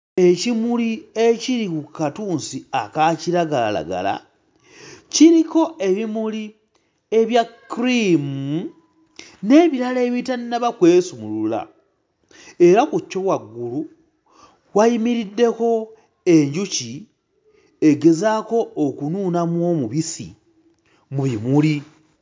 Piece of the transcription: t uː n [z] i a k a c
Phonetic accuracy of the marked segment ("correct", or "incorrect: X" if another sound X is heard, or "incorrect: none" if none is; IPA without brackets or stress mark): incorrect: s